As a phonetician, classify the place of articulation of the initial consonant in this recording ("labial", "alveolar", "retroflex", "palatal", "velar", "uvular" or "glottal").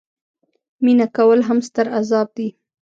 labial